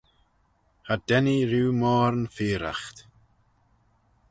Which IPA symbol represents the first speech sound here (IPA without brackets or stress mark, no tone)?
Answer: h